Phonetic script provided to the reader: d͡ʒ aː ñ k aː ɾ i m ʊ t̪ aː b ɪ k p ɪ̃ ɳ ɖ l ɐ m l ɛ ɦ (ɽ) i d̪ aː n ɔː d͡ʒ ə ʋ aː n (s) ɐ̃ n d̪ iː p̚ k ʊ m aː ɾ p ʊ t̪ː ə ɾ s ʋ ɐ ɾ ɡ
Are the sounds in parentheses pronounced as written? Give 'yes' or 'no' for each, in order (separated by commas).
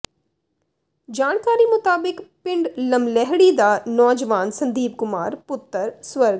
yes, yes